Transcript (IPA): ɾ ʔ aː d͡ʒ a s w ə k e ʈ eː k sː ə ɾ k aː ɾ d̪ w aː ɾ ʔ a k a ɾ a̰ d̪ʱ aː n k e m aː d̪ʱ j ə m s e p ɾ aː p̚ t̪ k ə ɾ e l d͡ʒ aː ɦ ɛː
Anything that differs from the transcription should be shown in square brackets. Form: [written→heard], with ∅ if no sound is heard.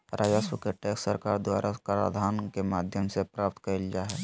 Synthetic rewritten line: ɾ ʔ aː d͡ʒ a s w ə k e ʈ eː k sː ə ɾ k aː ɾ d̪ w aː ɾ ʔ a k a ɾ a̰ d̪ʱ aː n k e m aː d̪ʱ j ə m s e p ɾ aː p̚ t̪ k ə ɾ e l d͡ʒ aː ɦ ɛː